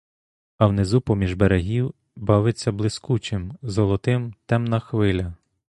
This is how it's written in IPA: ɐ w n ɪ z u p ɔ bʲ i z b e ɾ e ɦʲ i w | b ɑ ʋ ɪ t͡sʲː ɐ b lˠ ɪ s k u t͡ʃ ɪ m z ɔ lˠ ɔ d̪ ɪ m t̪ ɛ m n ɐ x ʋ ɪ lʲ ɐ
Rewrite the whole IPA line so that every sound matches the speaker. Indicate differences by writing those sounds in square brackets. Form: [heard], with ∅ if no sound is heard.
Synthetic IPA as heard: ɐ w n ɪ z u p ɔ [mʲ] i [ʒ] b e ɾ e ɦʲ i w | b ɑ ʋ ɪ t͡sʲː ɐ b lˠ ɪ s k u t͡ʃ ɪ m z ɔ lˠ ɔ [t̪] ɪ m t̪ ɛ m n ɐ x ʋ ɪ lʲ ɐ